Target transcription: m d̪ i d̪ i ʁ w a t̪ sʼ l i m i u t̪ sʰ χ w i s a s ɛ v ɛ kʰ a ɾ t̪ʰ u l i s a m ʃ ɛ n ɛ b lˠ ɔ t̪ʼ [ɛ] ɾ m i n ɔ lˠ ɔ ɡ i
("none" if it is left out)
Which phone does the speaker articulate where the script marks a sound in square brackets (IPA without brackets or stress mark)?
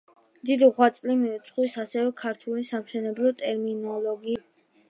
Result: ɛ